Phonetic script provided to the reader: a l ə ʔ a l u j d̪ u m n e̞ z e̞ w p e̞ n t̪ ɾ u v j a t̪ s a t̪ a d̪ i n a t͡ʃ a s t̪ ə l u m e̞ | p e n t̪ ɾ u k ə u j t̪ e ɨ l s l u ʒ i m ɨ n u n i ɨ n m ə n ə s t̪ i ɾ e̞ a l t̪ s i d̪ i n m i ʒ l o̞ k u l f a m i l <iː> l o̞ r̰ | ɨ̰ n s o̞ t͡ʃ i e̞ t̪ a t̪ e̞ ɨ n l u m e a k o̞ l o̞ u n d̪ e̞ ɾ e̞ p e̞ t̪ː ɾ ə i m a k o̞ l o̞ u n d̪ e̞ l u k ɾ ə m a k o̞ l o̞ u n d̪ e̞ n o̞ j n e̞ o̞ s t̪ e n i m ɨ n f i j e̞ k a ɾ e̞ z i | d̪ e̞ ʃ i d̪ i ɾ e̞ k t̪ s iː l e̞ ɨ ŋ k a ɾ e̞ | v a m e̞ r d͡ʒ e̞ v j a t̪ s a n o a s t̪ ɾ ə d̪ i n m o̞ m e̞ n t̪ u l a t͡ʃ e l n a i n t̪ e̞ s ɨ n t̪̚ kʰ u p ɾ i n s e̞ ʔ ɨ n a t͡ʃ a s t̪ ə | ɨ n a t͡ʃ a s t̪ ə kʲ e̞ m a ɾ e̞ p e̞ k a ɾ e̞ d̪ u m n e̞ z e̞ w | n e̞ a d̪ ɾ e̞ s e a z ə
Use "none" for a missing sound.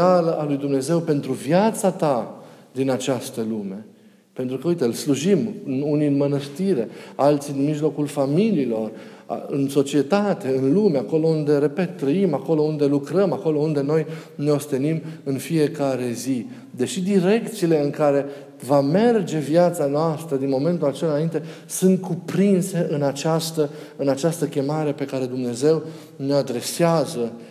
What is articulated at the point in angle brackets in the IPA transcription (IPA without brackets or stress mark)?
iː